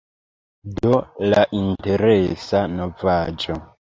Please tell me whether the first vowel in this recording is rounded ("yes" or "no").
yes